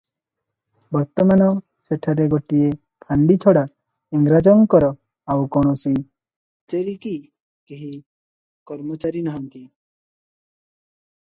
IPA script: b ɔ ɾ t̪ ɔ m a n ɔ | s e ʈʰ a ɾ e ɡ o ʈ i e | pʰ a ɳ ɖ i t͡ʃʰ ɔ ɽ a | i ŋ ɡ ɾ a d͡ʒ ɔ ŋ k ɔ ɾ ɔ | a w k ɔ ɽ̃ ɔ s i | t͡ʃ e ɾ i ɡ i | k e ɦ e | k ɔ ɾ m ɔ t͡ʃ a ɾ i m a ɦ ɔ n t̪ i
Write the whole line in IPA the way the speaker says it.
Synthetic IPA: b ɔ ɾ t̪ ɔ m a n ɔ | s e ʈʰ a ɾ e ɡ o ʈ i e | pʰ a ɳ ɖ i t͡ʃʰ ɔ ɽ a | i ŋ ɡ ɾ a d͡ʒ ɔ ŋ k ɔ ɾ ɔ | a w k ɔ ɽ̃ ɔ s i | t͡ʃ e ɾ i k i | k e ɦ i | k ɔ ɾ m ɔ t͡ʃ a ɾ i n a ɦ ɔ n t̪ i